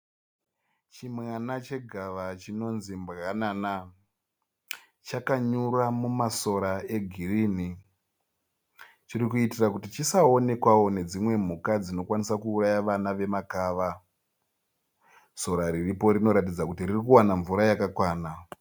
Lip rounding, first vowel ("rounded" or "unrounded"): unrounded